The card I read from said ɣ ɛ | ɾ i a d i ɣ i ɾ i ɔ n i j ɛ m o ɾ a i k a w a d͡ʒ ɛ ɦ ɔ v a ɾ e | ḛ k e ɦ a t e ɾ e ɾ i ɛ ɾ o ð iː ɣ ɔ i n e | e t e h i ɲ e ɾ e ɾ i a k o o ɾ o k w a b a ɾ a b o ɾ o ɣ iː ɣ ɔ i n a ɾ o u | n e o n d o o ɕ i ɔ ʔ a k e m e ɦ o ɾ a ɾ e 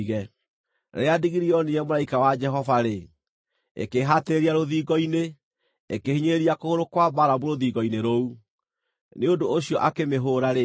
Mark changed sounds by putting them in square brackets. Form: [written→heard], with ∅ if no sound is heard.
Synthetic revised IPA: ɣ ɛ | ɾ [i→e] a d i ɣ i ɾ i ɔ n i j ɛ m o ɾ a i k a w a d͡ʒ ɛ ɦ ɔ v a ɾ e | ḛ k e ɦ a t e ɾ e ɾ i [ɛ→a] ɾ o ð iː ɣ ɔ i n e | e [t→k] e h i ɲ e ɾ e ɾ i a k o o ɾ o k w a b a ɾ a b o ɾ o [ɣ→ð] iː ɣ ɔ i n [a→e] ɾ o u | n e o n d o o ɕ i ɔ ʔ a k e m e ɦ o ɾ a ɾ e